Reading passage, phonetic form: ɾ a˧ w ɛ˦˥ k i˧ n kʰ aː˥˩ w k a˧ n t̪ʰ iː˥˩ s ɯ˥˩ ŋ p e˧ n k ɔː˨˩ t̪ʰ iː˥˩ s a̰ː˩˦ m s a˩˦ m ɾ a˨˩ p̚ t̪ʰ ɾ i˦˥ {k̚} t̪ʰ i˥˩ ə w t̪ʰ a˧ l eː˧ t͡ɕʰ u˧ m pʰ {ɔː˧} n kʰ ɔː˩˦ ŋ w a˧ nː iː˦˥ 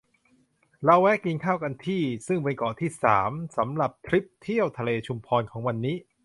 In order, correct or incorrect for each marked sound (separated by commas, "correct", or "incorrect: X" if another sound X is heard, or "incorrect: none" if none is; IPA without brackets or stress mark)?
incorrect: p̚, correct